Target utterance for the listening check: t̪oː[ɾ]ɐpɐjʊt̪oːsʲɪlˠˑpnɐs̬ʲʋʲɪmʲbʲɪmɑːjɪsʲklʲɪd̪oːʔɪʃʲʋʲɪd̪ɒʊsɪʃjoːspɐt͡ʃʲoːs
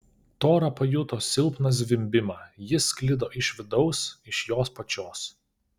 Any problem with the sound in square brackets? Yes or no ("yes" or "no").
no